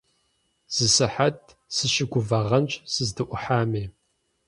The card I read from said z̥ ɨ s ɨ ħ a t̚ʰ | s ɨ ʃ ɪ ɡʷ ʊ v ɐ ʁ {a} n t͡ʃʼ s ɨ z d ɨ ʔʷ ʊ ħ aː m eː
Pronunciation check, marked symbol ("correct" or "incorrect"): incorrect